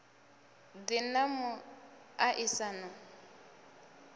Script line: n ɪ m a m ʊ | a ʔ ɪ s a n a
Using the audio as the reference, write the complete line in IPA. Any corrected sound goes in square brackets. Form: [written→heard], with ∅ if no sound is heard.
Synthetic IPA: [n→d] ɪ [m→n] a m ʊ | a ʔ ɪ s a n a

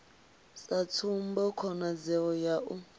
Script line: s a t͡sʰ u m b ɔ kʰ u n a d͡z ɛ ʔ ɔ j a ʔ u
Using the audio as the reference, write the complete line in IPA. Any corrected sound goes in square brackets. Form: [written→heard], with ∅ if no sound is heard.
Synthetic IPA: s a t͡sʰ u m b ɔ kʰ [u→ɔ] n a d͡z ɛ [ʔ→∅] ɔ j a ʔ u

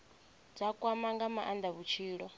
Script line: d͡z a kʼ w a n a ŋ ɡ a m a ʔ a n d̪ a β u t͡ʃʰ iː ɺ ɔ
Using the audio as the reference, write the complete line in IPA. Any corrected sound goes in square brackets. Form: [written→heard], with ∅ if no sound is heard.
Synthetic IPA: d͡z a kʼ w a [n→m] a ŋ ɡ a m a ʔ a n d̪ a β u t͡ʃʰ iː ɺ ɔ

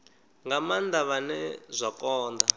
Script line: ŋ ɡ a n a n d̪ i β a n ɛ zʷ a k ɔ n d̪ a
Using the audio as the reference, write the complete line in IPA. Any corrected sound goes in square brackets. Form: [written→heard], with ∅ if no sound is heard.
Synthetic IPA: ŋ ɡ a [n→m] a n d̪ [i→a] β a n ɛ zʷ a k [ɔ→ɔː] n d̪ a

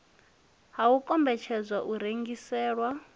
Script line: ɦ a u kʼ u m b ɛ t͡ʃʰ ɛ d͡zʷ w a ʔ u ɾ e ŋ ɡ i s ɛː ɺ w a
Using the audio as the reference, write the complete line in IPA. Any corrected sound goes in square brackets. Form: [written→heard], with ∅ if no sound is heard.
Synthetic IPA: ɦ a u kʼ [u→ɔ] m b ɛ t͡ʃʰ ɛ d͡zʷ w a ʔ u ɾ e ŋ ɡ i s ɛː ɺ w a

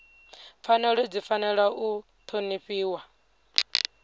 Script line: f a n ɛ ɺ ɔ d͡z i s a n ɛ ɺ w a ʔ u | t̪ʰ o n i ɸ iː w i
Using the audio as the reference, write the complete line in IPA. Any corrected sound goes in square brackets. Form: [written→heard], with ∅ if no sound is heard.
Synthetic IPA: f a n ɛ ɺ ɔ d͡z i [s→f] a n ɛ ɺ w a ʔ u | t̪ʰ o n i ɸ iː w [i→a]

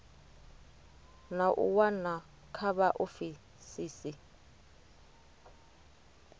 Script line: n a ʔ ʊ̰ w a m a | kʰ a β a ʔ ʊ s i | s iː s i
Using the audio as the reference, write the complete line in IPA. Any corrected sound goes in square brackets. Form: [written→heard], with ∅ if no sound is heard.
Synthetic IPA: n a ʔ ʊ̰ w a [m→n] a | kʰ a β a ʔ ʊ [s→f] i | s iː s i

